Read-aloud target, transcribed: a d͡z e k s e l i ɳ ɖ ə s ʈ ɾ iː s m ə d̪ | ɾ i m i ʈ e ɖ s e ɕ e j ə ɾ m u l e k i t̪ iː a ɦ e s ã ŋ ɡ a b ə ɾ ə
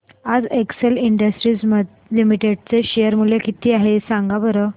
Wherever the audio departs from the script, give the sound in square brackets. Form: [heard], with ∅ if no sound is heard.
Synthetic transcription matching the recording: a d͡z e k s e l i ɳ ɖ ə s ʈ ɾ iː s m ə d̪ | [l] i m i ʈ e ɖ [t͡s] e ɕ e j ə ɾ m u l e k i t̪ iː a ɦ e s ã ŋ ɡ a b ə ɾ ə

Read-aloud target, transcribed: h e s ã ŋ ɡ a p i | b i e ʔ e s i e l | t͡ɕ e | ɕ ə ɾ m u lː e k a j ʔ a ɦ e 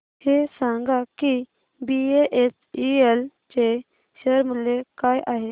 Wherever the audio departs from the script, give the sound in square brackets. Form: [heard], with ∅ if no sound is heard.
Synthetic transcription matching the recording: h e s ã ŋ ɡ a [k] i | b i e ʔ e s i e l | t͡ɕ e | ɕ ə ɾ m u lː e k a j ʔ a ɦ e

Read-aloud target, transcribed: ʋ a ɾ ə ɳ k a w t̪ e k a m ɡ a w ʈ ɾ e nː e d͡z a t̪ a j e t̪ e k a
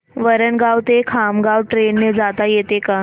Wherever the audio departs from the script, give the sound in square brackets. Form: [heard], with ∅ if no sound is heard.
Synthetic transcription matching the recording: ʋ [ə] ɾ ə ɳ [ɡ] a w t̪ e [kʰ] a m ɡ a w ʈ ɾ e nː e d͡z a t̪ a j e t̪ e k a

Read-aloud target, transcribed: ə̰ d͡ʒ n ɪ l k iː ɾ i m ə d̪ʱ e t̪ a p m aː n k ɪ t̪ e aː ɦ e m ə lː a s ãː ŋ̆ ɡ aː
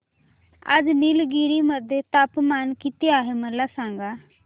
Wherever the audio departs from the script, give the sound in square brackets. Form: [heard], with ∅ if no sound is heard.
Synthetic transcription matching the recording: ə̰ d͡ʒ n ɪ l [ɡ] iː ɾ i m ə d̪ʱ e t̪ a p m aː n k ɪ t̪ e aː ɦ e m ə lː a s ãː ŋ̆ ɡ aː

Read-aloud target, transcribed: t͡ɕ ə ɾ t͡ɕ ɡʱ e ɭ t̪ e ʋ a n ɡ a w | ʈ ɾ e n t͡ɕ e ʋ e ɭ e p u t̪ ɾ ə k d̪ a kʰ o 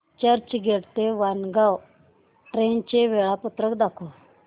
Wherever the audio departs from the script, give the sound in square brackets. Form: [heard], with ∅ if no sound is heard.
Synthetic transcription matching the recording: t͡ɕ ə ɾ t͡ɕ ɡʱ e [ɽ] t̪ e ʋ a n ɡ a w | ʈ ɾ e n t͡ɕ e ʋ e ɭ [a] p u t̪ ɾ ə k d̪ a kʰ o

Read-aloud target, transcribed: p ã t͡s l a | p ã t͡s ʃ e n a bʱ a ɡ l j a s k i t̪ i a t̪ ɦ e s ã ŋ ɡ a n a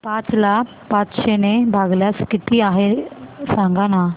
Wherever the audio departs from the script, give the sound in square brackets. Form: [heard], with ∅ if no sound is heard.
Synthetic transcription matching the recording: p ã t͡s l a | p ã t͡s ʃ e n [e] bʱ a ɡ l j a s k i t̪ i a [∅] ɦ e s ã ŋ ɡ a n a

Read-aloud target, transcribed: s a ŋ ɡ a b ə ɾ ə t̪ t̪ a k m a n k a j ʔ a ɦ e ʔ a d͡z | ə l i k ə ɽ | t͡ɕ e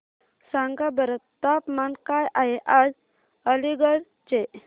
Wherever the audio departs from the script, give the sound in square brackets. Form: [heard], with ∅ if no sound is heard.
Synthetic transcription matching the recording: s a ŋ ɡ a b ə ɾ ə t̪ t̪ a [p] m a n k a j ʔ a ɦ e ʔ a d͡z | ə l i [ɡ] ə ɽ | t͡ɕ e

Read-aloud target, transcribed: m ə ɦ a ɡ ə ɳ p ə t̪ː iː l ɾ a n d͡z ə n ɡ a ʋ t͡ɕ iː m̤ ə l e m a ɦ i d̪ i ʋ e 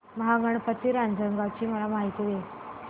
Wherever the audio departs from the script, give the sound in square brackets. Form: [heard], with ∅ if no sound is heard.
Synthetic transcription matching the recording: m ə ɦ a ɡ ə ɳ p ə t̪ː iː [∅] ɾ a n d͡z ə [ŋ] ɡ a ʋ t͡ɕ iː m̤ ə l [a] m a ɦ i [t̪] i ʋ e

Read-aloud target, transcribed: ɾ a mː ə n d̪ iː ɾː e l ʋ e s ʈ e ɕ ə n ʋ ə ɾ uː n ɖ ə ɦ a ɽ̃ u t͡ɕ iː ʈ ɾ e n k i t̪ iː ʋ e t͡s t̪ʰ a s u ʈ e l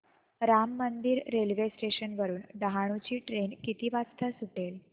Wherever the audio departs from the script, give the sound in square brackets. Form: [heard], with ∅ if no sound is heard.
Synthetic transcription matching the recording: ɾ a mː ə n d̪ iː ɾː e l ʋ e s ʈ e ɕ ə n ʋ ə ɾ uː n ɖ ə ɦ a ɽ̃ u t͡ɕ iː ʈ ɾ e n k i t̪ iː ʋ [a] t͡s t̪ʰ a s u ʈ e l

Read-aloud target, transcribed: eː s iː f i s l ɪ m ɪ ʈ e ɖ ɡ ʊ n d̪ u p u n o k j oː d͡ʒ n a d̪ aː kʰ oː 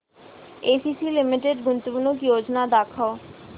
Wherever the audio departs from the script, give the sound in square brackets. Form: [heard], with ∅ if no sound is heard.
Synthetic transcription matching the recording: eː s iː [s] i [∅] l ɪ m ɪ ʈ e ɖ ɡ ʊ n [t̪] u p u n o k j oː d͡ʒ n a d̪ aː kʰ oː

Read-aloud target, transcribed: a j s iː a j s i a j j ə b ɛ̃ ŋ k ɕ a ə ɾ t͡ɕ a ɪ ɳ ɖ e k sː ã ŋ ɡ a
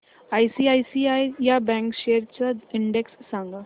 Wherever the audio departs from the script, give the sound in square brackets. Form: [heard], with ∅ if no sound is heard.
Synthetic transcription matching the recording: a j s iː a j s i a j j [a] b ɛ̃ ŋ k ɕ [e] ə ɾ t͡ɕ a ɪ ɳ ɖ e k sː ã ŋ ɡ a

